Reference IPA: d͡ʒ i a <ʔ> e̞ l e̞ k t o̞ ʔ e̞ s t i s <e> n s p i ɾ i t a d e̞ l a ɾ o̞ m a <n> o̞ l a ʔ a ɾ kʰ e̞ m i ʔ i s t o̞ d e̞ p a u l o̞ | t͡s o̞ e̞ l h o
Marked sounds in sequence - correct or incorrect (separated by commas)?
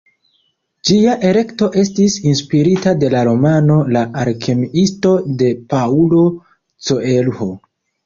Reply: correct, incorrect, correct